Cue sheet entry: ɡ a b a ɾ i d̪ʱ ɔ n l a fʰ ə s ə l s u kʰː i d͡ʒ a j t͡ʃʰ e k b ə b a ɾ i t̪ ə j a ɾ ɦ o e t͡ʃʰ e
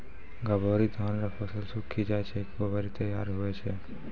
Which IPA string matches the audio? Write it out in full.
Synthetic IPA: ɡ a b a ɾ i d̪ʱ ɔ n ɾ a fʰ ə s ə l s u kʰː i d͡ʒ a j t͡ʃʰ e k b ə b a ɾ i t̪ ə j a ɾ ɦ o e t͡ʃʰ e